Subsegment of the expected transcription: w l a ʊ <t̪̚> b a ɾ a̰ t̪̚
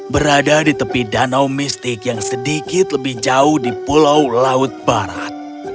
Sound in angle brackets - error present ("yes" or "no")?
no